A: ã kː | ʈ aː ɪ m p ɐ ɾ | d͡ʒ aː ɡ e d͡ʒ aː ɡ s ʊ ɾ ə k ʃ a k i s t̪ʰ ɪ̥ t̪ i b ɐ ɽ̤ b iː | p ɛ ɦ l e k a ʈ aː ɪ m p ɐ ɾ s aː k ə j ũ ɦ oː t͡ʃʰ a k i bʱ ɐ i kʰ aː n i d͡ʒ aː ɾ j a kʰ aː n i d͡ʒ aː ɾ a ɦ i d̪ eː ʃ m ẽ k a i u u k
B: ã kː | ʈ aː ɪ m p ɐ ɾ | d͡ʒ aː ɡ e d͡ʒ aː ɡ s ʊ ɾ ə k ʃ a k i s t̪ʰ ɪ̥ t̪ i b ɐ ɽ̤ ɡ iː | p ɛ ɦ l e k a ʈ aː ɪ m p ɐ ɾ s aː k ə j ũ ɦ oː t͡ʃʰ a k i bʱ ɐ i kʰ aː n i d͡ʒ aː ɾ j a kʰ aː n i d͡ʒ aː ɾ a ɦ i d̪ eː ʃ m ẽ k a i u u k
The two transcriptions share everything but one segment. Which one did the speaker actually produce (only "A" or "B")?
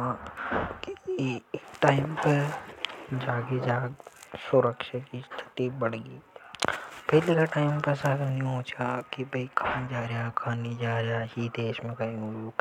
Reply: B